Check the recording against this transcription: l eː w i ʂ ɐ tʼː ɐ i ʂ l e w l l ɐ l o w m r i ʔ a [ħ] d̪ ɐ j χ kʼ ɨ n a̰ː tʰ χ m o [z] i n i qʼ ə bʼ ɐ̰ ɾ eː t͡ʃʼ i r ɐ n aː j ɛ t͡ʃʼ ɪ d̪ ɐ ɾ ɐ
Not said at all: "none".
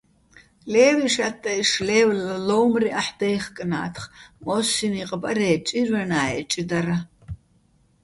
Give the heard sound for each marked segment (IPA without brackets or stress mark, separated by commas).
ħ, s